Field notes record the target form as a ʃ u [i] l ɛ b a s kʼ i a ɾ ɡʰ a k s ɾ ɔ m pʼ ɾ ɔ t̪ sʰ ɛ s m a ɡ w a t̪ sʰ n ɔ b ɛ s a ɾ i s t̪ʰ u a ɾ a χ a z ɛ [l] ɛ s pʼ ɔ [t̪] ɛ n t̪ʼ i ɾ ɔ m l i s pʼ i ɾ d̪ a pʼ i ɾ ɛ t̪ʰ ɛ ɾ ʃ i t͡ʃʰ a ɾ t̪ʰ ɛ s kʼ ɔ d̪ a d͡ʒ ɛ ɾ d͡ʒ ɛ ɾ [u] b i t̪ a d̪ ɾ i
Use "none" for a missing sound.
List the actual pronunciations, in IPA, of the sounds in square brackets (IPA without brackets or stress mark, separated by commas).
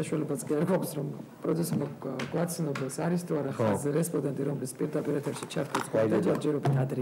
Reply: a, ɾ, d̪, ɔ